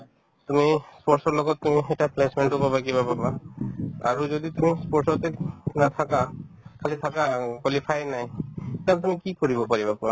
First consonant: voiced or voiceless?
voiceless